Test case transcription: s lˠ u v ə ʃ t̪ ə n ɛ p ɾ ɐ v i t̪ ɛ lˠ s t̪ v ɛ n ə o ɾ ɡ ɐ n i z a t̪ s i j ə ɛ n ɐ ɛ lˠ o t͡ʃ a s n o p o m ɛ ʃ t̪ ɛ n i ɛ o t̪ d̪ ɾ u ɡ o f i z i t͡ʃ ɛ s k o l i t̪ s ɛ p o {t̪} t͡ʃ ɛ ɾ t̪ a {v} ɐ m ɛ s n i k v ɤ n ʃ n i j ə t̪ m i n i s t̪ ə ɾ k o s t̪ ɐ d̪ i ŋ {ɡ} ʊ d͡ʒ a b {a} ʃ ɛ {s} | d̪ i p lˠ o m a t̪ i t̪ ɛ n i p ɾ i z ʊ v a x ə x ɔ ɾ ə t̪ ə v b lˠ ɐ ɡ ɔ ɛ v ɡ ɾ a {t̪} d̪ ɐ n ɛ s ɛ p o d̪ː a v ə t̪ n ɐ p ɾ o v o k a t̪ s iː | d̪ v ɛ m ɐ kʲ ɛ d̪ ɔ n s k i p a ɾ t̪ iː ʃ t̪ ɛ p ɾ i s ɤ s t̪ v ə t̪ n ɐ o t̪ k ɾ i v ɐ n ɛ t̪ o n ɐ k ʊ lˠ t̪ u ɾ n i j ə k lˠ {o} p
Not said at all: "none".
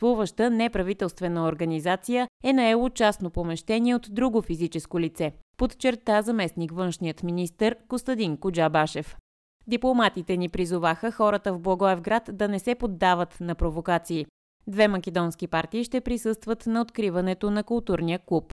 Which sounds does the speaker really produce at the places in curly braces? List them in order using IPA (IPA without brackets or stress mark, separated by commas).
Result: t̪, z, k, a, f, t̪, u